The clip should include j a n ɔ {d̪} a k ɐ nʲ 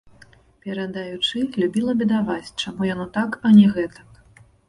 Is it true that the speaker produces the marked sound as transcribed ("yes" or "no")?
no